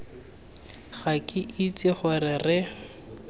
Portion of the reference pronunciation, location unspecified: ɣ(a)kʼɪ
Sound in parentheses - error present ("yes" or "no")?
no